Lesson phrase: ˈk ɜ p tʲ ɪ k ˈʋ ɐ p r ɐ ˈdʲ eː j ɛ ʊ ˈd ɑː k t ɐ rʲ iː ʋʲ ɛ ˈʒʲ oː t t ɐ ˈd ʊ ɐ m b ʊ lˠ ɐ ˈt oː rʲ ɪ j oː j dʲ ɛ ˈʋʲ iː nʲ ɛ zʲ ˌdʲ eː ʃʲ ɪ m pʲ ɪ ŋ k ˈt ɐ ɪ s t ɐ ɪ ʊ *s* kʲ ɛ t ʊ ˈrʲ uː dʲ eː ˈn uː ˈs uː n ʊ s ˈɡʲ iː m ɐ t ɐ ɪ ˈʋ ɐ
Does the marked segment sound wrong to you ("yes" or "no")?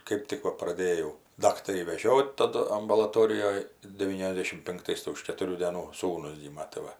yes